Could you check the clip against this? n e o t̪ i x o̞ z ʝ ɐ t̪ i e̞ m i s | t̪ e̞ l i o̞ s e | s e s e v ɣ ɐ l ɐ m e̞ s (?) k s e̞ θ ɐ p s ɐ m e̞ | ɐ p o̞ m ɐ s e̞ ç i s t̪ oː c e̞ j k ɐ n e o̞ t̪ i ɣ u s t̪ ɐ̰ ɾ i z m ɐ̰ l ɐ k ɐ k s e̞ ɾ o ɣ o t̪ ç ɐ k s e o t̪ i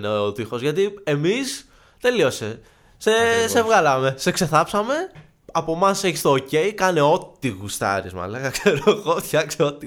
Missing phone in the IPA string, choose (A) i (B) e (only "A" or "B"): B